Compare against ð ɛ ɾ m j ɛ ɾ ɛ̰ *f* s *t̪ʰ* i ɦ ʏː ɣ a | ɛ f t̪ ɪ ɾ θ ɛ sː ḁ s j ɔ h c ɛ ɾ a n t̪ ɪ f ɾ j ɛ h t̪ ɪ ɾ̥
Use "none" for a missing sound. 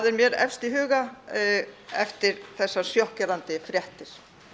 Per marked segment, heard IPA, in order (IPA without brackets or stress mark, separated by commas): f, t̪